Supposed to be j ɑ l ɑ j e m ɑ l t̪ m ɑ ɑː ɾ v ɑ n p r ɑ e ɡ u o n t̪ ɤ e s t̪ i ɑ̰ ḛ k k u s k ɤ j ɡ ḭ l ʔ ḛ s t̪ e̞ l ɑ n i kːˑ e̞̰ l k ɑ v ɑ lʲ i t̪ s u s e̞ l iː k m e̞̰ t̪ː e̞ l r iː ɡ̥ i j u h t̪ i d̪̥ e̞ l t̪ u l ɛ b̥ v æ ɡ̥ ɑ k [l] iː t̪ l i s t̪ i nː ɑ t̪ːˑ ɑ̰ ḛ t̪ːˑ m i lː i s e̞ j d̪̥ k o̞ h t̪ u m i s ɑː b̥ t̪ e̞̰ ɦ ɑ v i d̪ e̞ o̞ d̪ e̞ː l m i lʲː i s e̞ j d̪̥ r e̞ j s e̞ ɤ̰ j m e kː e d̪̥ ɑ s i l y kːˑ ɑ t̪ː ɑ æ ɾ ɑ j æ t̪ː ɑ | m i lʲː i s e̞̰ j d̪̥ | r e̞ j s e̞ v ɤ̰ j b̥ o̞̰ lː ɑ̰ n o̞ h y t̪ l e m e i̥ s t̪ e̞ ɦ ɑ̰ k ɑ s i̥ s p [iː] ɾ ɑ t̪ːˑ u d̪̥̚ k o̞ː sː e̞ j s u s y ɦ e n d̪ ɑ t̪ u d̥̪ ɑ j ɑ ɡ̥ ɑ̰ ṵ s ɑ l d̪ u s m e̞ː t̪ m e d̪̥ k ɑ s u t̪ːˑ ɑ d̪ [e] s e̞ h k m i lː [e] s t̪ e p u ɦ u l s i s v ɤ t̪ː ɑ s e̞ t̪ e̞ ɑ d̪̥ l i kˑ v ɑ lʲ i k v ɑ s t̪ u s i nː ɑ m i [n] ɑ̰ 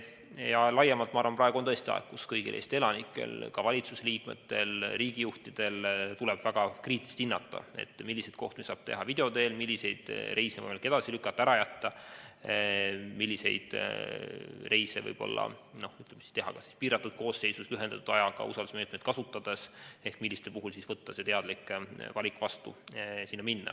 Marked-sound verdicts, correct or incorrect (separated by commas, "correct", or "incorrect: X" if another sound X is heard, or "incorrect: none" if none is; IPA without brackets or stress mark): incorrect: r, correct, correct, incorrect: i, incorrect: nː